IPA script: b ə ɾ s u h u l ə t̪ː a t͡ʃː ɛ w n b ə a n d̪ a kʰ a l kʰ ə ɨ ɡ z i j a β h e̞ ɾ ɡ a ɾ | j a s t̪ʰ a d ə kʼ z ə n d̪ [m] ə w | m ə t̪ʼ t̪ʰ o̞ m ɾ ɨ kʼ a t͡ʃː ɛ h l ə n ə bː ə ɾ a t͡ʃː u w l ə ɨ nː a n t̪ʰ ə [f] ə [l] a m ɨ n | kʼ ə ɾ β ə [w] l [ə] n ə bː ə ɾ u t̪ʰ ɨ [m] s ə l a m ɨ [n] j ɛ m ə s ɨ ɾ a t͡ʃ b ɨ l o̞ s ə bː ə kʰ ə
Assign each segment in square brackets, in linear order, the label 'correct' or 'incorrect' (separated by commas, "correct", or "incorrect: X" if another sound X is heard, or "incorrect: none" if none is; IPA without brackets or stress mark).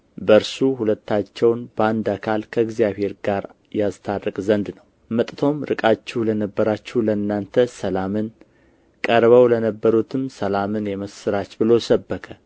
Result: incorrect: n, incorrect: s, correct, correct, correct, correct, correct